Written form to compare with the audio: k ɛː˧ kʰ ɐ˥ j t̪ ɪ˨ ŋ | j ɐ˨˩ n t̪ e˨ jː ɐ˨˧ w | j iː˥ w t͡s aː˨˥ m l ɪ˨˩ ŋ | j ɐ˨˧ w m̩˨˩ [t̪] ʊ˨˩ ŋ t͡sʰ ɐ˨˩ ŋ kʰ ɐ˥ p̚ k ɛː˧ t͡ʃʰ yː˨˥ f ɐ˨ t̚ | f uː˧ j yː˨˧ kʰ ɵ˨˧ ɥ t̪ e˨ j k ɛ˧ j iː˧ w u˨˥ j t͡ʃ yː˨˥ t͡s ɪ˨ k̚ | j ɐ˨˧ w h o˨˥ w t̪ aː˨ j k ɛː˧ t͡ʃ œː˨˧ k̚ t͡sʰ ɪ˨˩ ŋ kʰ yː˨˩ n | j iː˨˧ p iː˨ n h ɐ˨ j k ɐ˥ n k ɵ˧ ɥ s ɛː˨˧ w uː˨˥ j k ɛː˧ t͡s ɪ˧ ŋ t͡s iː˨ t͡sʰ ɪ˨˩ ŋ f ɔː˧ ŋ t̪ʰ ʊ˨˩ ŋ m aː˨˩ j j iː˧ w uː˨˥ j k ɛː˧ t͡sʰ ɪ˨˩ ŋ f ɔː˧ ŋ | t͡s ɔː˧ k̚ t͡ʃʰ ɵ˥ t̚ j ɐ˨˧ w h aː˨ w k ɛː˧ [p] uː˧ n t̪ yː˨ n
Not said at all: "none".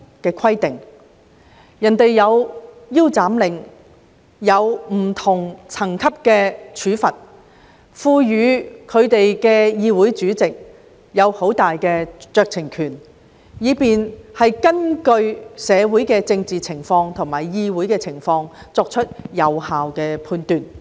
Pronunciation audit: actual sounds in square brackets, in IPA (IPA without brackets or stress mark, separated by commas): t̪ʰ, pʰ